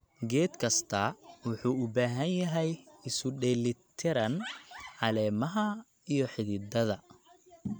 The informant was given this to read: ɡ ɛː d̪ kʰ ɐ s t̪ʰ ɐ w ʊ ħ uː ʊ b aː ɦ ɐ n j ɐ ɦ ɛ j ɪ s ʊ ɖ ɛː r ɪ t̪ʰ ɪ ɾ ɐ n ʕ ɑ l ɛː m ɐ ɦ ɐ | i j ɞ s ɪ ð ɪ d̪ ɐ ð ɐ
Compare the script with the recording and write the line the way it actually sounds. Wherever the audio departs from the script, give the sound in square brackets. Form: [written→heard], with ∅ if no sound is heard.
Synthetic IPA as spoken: ɡ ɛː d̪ kʰ ɐ s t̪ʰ ɐ w ʊ ħ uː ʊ b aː ɦ ɐ n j ɐ ɦ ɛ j ɪ s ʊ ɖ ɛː [r→l] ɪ t̪ʰ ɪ ɾ ɐ n ʕ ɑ l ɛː m ɐ ɦ ɐ | i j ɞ [s→ħ] ɪ ð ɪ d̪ ɐ ð ɐ